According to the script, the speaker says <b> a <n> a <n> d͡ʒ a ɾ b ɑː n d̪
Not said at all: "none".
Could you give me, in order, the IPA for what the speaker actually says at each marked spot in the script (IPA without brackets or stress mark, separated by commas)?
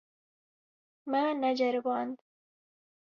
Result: m, n, none